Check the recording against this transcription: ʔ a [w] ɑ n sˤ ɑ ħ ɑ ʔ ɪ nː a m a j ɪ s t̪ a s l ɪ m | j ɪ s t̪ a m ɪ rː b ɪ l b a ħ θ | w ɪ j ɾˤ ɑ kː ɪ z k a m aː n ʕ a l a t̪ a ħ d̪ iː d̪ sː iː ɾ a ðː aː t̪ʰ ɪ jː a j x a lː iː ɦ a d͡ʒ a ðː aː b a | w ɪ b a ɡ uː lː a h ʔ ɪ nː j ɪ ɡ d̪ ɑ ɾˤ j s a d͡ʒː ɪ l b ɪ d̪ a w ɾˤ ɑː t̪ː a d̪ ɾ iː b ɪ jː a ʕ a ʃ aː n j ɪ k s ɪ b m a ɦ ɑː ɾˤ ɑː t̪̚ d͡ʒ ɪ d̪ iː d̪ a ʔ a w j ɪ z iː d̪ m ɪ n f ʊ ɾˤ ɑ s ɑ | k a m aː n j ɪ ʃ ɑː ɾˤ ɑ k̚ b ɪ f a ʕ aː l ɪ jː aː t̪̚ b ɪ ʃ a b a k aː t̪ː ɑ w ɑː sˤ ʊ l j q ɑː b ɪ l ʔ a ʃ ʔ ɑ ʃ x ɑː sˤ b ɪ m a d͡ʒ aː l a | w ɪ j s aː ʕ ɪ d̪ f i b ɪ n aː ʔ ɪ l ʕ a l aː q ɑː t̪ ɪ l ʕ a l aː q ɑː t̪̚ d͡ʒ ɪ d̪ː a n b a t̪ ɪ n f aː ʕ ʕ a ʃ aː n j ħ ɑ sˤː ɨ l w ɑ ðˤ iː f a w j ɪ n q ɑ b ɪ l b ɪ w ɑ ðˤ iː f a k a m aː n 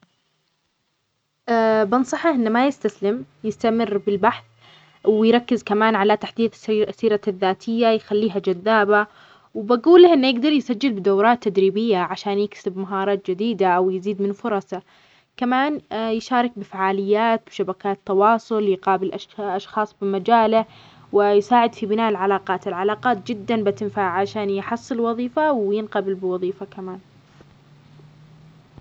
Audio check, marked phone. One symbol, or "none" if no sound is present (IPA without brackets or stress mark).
b